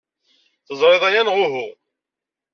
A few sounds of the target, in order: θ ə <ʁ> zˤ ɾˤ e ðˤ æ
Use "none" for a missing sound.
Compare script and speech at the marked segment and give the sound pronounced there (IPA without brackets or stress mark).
none